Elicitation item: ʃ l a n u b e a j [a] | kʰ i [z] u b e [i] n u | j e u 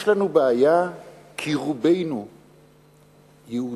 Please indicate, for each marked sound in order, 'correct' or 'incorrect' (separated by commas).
correct, incorrect, incorrect